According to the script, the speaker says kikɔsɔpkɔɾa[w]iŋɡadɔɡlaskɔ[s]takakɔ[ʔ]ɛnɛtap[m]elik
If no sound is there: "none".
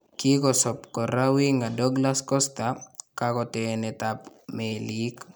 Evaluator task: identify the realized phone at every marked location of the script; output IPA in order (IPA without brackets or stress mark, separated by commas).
w, s, t, m